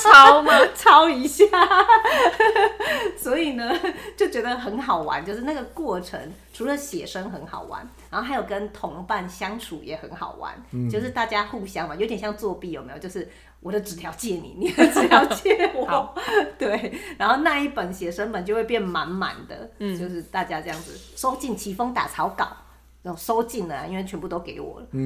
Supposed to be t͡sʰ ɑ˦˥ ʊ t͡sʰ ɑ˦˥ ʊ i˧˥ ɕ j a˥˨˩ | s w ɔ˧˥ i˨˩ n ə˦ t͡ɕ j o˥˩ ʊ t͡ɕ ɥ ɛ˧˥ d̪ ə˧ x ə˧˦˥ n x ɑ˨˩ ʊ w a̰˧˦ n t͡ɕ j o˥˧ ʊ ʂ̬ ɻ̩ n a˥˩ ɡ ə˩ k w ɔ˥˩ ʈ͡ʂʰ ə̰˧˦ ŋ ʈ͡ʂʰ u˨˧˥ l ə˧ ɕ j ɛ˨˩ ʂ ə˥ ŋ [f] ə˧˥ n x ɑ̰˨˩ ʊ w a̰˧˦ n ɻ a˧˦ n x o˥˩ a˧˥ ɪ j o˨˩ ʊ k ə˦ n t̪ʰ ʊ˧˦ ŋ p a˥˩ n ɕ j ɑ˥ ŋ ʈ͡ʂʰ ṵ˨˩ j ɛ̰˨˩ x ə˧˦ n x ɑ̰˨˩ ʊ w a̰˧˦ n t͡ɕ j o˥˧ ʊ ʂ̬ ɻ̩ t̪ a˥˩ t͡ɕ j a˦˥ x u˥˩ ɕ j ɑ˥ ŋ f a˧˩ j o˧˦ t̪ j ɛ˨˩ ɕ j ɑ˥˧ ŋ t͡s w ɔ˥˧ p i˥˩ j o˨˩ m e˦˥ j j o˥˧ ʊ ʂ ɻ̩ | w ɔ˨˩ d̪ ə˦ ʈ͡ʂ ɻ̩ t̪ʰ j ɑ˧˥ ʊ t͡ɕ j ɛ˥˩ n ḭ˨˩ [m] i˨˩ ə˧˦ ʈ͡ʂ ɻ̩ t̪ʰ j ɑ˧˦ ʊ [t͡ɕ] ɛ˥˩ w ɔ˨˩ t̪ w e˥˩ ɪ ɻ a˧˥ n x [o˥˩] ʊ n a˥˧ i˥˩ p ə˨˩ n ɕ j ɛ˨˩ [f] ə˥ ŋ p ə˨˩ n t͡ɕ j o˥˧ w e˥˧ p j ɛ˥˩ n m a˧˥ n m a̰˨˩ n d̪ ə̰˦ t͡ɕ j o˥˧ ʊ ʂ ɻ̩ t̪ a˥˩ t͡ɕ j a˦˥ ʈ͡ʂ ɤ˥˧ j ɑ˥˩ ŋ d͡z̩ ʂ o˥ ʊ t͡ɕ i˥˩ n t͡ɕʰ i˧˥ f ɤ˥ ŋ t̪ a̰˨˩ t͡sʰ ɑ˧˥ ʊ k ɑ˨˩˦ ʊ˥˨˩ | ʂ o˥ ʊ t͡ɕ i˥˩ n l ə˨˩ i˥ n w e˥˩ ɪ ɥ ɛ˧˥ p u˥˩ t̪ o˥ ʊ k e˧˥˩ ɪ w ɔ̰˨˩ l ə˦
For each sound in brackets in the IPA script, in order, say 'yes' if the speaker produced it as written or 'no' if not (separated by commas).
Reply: no, no, yes, no, no